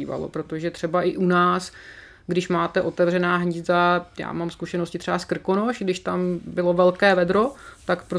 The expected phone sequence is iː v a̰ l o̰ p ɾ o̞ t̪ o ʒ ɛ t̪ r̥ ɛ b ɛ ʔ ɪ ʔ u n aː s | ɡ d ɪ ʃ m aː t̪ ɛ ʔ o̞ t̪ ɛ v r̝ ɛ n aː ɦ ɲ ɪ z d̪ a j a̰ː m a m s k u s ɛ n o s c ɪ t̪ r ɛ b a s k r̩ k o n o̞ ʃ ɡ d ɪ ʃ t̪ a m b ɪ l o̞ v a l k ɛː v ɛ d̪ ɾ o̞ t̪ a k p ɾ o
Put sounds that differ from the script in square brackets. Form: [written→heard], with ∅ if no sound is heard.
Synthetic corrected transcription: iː v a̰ l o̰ p ɾ o̞ t̪ o ʒ ɛ t̪ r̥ ɛ b [ɛ→a] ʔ ɪ ʔ u n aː s | ɡ d ɪ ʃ m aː t̪ ɛ ʔ o̞ t̪ ɛ v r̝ ɛ n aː ɦ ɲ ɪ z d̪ a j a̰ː m a m s k u [s→ʃ] ɛ n o s c ɪ t̪ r ɛ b a s k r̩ k o n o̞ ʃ ɡ d ɪ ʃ t̪ a m b ɪ l o̞ v [a→ɛ] l k ɛː v ɛ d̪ ɾ o̞ t̪ a k p ɾ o